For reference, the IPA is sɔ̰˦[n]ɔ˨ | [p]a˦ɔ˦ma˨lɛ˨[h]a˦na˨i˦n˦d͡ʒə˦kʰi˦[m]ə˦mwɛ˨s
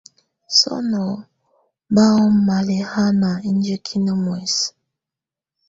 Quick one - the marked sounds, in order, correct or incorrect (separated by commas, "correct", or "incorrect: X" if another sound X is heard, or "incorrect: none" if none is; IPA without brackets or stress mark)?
correct, incorrect: b, correct, incorrect: n